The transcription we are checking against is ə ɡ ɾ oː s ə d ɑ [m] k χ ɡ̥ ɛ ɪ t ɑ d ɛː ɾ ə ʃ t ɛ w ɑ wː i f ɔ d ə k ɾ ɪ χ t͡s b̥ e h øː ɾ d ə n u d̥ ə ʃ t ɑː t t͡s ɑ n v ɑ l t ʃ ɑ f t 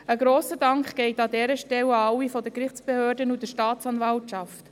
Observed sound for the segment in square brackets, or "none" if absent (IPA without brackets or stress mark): ŋ